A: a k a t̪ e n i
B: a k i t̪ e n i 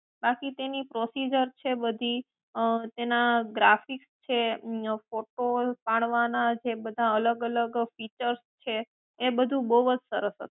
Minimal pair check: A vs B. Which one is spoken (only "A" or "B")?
B